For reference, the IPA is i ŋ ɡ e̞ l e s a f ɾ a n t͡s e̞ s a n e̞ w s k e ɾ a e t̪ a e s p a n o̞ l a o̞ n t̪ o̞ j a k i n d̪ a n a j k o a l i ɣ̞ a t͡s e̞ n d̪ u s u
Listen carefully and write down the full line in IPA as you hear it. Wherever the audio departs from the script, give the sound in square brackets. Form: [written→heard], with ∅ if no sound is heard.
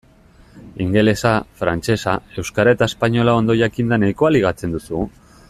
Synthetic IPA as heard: i ŋ ɡ e̞ l e s a f ɾ a n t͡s e̞ s a [n→∅] e̞ w s k [e→a] ɾ a e t̪ a e s p a [n→ɲ] o̞ l a o̞ n [t̪→d̪] o̞ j a k i n d̪ a n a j k o a l i ɣ̞ a t͡s e̞ n d̪ u s u